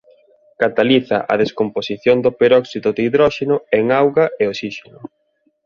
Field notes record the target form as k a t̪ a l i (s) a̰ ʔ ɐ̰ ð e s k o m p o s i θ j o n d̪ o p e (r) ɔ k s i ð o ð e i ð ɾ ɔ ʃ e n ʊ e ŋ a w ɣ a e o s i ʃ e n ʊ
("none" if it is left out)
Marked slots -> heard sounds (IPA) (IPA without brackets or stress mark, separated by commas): θ, ɾ